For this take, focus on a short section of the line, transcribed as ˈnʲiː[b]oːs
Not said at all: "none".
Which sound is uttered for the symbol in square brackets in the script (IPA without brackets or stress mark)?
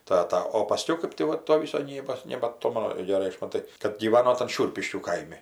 b